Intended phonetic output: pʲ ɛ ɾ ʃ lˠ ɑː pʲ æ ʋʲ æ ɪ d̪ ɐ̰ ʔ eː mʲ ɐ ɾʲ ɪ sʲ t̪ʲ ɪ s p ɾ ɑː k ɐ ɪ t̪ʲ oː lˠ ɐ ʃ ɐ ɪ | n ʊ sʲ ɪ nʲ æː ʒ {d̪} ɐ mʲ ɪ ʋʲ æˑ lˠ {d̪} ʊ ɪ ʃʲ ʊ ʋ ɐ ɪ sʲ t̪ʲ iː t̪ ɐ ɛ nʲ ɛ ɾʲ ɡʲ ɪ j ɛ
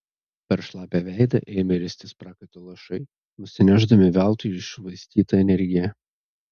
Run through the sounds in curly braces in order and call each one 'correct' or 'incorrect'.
correct, incorrect: t̪

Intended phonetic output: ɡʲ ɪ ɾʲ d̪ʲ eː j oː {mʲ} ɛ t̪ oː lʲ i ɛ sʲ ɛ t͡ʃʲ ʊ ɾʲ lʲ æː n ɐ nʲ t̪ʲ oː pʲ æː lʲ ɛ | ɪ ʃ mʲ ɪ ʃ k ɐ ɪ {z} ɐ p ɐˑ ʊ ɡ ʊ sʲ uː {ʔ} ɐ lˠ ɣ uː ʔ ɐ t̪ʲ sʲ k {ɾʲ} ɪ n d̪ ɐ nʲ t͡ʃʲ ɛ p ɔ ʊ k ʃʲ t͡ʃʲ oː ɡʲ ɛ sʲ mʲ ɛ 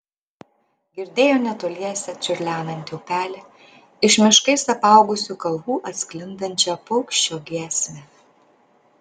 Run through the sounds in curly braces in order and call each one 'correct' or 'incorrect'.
incorrect: nʲ, incorrect: s, incorrect: k, incorrect: lʲ

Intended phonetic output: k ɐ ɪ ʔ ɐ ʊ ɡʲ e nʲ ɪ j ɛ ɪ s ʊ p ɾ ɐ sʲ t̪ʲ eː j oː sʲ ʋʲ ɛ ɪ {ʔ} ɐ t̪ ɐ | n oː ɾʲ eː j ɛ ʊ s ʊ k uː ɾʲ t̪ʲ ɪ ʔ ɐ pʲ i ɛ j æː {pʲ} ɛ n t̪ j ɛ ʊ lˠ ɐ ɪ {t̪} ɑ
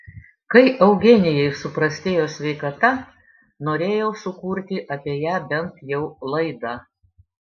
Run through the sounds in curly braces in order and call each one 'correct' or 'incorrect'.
incorrect: k, incorrect: bʲ, incorrect: d̪

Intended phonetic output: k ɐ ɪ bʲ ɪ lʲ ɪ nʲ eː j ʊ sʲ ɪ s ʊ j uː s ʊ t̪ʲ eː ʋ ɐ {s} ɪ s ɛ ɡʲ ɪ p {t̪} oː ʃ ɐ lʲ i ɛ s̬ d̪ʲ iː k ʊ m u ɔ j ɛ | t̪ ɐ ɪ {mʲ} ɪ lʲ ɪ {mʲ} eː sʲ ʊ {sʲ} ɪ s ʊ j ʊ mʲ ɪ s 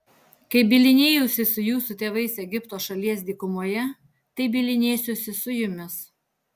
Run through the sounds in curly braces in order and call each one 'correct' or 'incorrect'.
incorrect: none, correct, incorrect: bʲ, incorrect: nʲ, correct

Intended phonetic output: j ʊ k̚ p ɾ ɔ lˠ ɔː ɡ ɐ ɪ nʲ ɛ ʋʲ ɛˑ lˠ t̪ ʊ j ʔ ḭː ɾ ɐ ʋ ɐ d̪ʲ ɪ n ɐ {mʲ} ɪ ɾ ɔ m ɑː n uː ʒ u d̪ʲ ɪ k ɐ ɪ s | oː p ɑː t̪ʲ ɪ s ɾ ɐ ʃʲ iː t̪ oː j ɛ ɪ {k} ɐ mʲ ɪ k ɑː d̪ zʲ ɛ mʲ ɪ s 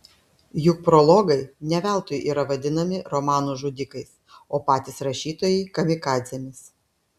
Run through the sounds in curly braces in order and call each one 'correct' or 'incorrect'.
correct, correct

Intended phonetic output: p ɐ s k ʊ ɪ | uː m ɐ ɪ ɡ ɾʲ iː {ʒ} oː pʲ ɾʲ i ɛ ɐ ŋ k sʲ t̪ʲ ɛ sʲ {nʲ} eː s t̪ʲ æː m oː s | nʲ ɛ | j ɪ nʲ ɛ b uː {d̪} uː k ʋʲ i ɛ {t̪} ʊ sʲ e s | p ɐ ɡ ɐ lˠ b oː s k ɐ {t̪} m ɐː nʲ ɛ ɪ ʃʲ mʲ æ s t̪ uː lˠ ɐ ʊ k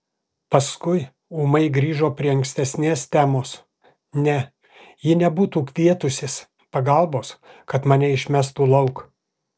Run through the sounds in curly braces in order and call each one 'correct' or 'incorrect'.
correct, correct, incorrect: t̪, correct, correct

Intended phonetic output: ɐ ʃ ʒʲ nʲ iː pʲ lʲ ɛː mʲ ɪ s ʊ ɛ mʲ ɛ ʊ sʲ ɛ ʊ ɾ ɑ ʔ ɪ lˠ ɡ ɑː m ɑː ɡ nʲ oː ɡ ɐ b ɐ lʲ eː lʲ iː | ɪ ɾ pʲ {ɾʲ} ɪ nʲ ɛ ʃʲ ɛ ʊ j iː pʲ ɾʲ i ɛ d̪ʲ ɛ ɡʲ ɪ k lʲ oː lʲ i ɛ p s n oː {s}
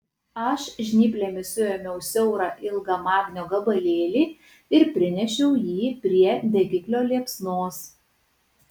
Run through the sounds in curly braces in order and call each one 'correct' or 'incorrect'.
correct, correct

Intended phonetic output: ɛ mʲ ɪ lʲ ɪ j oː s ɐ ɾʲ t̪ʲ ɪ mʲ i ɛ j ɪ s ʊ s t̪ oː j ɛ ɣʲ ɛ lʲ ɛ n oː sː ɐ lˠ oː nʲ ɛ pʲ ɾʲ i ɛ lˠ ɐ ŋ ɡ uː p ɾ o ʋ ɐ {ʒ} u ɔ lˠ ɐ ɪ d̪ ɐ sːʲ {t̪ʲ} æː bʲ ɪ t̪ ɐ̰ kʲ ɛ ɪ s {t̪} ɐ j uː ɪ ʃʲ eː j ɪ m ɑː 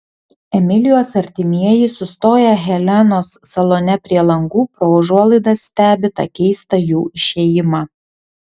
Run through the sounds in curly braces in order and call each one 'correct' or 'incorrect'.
correct, correct, correct

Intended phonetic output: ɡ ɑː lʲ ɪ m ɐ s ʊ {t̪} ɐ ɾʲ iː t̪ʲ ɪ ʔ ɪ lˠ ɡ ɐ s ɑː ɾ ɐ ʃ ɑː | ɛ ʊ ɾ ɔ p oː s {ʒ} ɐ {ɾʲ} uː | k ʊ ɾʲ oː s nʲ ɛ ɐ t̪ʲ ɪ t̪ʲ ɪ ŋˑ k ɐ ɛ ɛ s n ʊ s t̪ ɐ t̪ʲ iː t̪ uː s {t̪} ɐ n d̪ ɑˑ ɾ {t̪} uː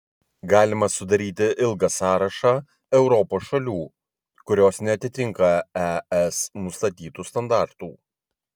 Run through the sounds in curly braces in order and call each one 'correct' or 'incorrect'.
incorrect: d̪, incorrect: ʃ, incorrect: lʲ, correct, correct

